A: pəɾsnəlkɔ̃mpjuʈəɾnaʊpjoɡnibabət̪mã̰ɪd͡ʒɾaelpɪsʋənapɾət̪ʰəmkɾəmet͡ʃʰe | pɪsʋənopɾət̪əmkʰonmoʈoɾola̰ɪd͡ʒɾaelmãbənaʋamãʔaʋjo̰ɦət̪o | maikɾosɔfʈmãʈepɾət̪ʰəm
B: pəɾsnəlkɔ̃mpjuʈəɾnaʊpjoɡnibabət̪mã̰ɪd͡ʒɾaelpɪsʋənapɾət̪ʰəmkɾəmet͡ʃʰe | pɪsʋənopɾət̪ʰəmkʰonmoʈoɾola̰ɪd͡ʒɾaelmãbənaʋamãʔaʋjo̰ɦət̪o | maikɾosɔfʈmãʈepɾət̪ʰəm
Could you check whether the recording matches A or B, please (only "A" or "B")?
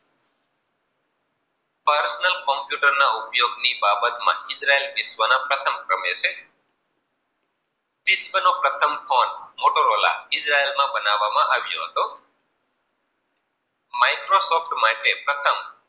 B